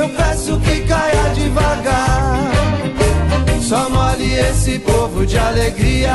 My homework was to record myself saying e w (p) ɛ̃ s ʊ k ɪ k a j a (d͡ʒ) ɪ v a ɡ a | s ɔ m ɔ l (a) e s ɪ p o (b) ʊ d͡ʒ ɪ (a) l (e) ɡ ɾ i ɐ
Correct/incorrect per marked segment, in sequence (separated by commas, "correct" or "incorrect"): correct, correct, incorrect, incorrect, correct, correct